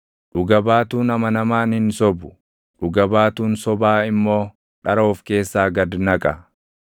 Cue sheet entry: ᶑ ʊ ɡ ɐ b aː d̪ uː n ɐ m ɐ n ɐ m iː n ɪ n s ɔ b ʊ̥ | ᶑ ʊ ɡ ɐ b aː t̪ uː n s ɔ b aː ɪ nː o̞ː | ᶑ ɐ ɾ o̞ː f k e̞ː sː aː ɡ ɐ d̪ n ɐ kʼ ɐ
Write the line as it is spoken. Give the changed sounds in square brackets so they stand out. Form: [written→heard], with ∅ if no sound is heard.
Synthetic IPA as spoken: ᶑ ʊ ɡ ɐ b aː [d̪→t̪] uː n ɐ m ɐ n ɐ m [iː→aː] n ɪ n s ɔ b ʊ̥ | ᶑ ʊ ɡ ɐ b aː t̪ uː n s ɔ b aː ɪ [nː→mː] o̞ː | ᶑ ɐ ɾ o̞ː f k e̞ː sː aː ɡ ɐ d̪ n ɐ kʼ ɐ